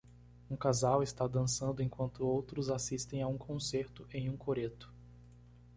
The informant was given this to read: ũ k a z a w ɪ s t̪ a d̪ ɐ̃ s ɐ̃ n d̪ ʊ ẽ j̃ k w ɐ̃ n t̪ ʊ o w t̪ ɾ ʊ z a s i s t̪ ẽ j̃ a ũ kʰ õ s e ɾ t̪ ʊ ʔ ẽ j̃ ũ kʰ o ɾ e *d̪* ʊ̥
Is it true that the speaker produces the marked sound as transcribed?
no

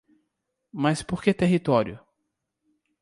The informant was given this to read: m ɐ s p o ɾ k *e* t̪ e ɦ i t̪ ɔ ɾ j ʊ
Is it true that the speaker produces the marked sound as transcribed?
yes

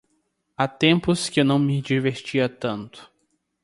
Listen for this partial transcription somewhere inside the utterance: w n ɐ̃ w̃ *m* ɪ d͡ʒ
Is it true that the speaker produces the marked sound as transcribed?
yes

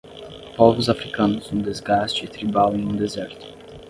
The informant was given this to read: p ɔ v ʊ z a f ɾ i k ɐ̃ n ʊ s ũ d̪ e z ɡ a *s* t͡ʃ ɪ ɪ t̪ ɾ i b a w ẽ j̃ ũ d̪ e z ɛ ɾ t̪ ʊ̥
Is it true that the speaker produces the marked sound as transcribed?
yes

